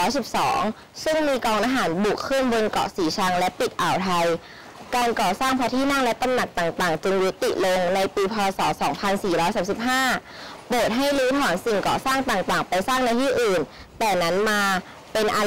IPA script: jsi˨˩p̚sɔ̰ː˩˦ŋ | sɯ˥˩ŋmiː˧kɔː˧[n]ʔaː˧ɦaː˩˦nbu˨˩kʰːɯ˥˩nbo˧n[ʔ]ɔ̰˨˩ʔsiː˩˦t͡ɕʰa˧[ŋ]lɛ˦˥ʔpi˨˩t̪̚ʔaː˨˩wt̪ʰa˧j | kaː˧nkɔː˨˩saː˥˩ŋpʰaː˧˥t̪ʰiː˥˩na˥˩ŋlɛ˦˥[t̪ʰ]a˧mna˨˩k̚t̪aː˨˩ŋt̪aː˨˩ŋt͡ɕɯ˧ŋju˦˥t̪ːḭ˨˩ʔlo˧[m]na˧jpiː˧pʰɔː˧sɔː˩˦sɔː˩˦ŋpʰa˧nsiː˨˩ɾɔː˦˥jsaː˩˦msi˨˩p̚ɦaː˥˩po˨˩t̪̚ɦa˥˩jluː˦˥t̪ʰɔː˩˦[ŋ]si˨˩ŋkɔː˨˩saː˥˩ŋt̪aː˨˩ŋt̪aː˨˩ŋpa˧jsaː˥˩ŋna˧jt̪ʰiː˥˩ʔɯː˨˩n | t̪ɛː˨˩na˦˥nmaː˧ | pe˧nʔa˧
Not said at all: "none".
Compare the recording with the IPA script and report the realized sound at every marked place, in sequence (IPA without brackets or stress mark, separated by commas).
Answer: ŋ, k, ŋ, t̪, ŋ, n